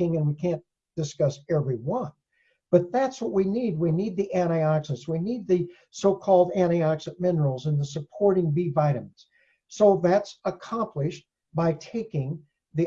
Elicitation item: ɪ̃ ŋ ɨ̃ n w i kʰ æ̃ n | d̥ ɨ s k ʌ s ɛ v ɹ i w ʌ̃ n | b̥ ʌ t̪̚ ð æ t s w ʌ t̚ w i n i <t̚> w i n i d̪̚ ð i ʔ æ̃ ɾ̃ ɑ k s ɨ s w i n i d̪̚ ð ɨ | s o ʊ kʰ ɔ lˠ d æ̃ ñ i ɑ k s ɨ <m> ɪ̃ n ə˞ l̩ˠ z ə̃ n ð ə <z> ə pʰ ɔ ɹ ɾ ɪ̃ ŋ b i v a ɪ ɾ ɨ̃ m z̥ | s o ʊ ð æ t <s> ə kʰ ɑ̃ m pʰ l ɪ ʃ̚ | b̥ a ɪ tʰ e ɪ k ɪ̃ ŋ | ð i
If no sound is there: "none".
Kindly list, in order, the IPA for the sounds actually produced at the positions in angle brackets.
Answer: d̚, m, s, s

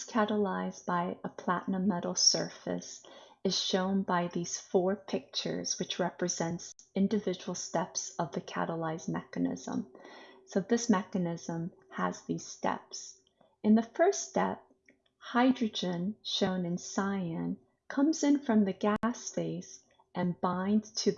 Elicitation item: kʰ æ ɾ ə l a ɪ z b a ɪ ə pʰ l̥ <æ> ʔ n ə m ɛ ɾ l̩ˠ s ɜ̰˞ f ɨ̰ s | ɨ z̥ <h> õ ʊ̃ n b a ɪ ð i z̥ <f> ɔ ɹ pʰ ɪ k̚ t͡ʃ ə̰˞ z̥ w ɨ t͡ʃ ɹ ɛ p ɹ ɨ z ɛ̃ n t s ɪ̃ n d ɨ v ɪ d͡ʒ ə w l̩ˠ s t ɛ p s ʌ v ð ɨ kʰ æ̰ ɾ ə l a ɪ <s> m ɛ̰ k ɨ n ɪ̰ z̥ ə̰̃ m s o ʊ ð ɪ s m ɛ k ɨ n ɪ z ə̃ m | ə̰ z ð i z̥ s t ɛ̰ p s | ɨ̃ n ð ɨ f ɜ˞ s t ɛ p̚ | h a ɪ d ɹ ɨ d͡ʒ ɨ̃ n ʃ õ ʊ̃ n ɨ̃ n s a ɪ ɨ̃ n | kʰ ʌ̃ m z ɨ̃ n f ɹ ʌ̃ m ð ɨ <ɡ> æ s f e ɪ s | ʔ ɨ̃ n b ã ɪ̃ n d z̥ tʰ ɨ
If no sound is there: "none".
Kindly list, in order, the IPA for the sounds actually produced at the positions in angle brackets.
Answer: æ, ʃ, f, z, ɡ

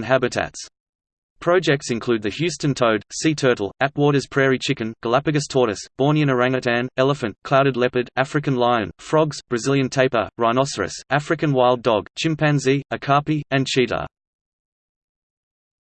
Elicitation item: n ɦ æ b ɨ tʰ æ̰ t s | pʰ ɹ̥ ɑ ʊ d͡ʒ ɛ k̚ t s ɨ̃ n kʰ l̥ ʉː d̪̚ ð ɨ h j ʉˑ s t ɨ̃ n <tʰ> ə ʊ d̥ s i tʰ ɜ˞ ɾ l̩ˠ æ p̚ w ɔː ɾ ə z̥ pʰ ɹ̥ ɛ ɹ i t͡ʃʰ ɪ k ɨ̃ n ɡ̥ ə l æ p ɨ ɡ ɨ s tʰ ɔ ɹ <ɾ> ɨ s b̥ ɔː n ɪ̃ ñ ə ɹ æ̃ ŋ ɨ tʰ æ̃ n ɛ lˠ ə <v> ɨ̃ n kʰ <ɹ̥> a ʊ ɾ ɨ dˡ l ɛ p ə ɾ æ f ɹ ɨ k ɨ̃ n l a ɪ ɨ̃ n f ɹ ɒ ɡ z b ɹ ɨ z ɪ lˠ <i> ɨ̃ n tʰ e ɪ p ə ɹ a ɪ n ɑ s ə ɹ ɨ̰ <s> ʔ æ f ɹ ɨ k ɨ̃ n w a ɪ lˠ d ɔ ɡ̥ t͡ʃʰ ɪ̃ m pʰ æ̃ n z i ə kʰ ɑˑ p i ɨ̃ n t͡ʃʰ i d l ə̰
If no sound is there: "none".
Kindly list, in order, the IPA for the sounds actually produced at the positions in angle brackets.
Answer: tʰ, ɾ, f, l̥, j, s

